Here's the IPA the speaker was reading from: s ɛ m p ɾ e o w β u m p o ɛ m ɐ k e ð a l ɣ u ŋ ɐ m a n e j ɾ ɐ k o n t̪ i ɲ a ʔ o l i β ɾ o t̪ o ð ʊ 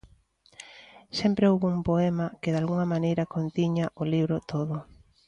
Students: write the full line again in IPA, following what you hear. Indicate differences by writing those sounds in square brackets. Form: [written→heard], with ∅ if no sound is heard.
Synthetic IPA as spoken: s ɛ m p ɾ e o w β u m p o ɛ m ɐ k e ð a l ɣ u ŋ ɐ m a n e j ɾ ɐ k o n t̪ i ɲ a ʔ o l i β ɾ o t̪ o ð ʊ